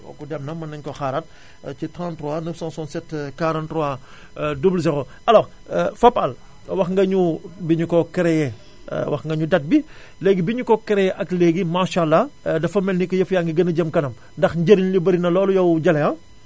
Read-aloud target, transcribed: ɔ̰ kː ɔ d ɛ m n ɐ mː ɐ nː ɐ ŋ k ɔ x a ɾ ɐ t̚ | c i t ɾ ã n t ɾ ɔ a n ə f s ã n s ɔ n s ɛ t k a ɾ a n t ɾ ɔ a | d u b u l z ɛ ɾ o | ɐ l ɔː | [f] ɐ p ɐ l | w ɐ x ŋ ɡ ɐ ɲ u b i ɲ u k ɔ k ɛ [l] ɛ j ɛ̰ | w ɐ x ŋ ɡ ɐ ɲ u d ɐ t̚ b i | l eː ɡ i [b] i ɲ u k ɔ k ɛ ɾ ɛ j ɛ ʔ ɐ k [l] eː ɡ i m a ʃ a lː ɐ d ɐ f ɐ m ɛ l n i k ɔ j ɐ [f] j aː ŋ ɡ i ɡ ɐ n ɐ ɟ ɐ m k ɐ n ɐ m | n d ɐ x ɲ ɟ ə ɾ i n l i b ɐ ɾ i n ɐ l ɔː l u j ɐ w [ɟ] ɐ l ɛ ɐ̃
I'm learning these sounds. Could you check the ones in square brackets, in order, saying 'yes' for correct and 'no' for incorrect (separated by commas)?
yes, no, yes, yes, yes, yes